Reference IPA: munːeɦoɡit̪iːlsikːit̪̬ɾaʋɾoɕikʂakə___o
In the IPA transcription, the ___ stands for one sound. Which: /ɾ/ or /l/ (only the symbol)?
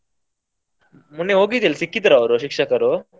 ɾ